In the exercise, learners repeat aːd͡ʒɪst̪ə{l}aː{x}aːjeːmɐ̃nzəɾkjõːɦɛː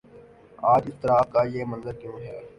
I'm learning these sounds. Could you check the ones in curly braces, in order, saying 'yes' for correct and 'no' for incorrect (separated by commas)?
no, no